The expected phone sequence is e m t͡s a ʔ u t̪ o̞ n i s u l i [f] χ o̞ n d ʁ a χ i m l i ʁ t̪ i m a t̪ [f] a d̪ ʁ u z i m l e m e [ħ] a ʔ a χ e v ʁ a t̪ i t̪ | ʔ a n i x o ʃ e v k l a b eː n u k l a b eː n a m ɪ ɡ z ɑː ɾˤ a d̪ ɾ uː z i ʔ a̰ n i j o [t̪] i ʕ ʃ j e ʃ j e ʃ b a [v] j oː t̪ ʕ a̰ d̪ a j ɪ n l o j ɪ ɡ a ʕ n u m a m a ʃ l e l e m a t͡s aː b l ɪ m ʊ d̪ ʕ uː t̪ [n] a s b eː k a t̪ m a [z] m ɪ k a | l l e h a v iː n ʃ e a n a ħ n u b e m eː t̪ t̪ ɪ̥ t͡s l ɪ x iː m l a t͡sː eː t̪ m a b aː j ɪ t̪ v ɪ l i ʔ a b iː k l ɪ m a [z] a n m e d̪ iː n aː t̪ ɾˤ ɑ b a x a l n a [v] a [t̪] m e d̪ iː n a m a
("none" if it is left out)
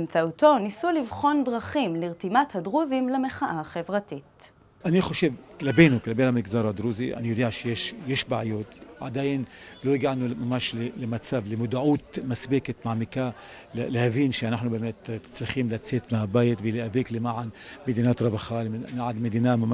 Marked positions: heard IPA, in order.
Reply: v, h, χ, d̪, ʕ, m, ʕ, ʕ, ʕ, d̪

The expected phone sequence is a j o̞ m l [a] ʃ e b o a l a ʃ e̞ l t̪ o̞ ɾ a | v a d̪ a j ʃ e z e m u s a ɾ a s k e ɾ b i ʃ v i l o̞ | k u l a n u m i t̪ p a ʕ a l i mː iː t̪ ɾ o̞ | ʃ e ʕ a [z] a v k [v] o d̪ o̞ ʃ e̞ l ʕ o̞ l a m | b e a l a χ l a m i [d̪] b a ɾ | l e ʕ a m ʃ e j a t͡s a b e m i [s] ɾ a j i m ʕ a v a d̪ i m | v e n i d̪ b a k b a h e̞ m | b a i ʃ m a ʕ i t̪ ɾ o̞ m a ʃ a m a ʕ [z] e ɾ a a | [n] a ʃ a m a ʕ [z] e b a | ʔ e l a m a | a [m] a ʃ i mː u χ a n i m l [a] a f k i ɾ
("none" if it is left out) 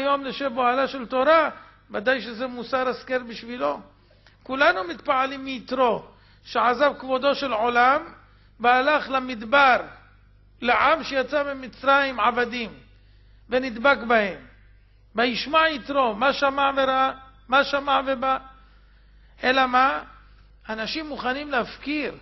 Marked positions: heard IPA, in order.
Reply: e, z, v, d̪, t͡s, v, m, v, n, e

